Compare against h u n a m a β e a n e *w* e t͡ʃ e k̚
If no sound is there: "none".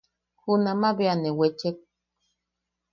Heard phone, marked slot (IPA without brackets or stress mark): w